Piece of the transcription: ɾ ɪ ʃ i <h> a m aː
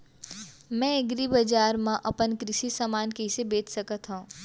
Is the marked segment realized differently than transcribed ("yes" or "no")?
yes